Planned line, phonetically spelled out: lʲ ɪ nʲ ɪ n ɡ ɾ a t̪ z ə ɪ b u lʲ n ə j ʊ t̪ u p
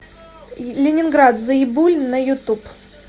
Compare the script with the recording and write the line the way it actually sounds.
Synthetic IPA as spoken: lʲ ɪ nʲ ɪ n ɡ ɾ a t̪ z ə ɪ b u lʲ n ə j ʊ t̪ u p